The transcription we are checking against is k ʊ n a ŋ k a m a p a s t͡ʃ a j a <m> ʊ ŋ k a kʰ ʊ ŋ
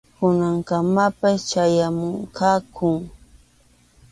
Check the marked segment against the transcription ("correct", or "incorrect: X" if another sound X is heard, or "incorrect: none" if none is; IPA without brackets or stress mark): correct